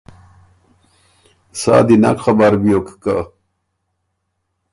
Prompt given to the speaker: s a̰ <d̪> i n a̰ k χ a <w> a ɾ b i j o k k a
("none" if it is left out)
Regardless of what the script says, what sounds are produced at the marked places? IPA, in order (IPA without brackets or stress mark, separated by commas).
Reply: d̪, b